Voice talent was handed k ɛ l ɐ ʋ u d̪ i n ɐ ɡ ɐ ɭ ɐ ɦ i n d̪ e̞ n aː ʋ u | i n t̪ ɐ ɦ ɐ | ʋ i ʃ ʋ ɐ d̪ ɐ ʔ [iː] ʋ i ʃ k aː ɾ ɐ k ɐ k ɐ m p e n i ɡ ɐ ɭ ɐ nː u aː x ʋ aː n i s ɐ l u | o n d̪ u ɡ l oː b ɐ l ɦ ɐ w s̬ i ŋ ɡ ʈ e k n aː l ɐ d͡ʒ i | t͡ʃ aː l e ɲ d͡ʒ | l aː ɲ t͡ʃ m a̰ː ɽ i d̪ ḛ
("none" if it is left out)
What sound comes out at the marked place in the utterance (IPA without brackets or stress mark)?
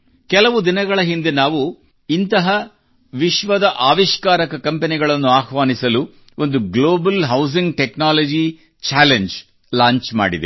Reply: aː